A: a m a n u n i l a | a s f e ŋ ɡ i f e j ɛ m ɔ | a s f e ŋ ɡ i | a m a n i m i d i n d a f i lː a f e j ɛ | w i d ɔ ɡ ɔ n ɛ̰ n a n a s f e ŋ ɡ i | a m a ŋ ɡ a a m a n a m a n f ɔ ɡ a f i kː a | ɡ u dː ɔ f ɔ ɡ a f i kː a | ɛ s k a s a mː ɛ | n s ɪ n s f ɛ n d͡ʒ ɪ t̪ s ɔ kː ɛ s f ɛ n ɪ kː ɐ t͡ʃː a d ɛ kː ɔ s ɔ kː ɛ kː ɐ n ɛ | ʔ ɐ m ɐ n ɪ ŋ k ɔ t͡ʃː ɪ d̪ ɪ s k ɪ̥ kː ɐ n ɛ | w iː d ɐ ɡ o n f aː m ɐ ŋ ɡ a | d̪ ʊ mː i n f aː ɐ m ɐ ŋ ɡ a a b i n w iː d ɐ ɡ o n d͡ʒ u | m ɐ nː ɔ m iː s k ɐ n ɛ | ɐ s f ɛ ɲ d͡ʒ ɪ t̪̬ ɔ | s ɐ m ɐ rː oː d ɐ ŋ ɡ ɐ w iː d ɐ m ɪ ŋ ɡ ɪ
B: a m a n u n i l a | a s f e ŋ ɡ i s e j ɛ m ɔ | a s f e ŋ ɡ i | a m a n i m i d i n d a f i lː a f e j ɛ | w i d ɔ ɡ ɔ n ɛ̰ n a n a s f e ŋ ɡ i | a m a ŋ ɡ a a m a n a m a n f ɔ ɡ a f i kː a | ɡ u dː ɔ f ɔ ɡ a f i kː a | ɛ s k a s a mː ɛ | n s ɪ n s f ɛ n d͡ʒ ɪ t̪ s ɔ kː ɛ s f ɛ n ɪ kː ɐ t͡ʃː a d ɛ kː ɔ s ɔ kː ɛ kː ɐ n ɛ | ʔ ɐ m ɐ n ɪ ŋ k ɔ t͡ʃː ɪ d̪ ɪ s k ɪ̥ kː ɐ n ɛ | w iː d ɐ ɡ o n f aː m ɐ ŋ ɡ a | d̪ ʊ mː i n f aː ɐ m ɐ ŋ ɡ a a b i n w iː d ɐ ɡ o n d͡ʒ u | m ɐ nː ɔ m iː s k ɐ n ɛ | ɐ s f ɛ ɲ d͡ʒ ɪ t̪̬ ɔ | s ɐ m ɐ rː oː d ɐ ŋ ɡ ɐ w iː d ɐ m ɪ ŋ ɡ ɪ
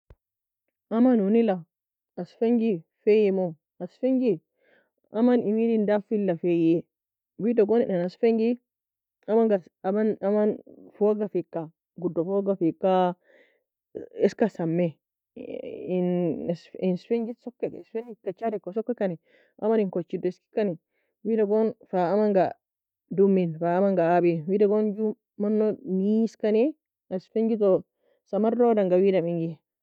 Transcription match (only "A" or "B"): A